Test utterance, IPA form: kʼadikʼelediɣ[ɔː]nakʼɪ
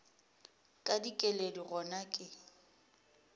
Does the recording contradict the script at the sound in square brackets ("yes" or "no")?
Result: yes